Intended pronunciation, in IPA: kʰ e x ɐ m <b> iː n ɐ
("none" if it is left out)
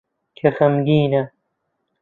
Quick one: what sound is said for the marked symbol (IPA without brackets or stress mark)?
ɡ